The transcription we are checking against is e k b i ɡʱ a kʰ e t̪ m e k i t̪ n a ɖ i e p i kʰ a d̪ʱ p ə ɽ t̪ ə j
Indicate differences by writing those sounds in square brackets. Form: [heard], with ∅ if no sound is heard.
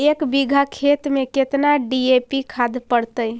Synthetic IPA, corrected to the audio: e k b i ɡʱ a kʰ e t̪ m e k [e] t̪ n a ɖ i e p i kʰ a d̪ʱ p ə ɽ t̪ ə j